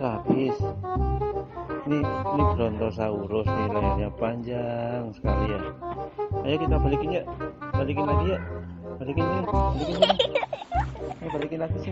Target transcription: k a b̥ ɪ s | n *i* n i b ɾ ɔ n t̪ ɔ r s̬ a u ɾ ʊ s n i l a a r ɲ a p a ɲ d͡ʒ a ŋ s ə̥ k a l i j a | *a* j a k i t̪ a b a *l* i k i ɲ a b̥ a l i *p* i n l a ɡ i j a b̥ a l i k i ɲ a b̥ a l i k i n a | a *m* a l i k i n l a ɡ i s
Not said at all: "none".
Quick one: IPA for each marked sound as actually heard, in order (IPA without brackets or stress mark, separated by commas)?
i, a, l, k, b